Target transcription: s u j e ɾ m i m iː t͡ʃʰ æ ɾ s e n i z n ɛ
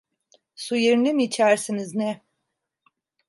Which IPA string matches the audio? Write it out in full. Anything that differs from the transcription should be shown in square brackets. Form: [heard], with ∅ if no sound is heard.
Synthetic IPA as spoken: s u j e ɾ [n] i m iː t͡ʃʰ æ ɾ s [i] n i z n ɛ